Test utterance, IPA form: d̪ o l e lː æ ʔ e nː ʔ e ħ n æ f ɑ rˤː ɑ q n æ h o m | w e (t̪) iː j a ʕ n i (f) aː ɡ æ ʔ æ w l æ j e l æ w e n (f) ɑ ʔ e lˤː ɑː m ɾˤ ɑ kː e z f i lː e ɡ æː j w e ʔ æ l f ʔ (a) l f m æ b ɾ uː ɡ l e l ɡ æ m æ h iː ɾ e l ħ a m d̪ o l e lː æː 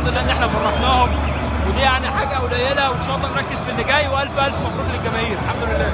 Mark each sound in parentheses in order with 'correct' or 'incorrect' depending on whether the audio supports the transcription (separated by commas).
incorrect, incorrect, incorrect, incorrect